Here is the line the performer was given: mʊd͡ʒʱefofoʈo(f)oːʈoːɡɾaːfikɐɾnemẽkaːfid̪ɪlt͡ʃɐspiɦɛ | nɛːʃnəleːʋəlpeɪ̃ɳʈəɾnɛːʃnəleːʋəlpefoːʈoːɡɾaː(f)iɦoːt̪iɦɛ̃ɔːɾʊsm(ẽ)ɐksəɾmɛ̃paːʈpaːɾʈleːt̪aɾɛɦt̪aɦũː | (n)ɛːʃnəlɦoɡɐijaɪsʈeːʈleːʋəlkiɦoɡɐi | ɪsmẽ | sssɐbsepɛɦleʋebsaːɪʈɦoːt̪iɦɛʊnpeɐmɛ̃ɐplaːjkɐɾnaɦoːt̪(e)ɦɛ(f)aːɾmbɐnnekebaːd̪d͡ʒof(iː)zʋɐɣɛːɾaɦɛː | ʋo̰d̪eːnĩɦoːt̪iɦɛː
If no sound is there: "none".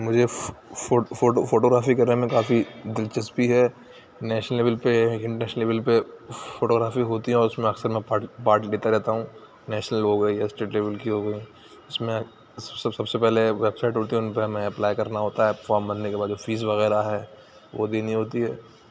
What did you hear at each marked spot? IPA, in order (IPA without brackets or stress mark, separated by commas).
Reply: f, f, ẽ, n, a, f, iː